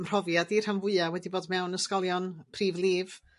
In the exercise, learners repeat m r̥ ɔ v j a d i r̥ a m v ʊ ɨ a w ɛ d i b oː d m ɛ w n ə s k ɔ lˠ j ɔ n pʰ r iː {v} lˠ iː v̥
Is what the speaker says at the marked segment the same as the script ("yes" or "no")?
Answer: yes